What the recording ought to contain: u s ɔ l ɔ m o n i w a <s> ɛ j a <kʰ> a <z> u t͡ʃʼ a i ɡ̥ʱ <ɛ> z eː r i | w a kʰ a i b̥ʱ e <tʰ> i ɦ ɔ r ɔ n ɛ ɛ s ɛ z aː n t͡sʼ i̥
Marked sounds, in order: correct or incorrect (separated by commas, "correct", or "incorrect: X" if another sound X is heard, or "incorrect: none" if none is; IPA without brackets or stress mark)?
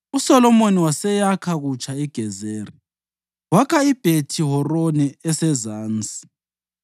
correct, correct, incorrect: ɣ, correct, correct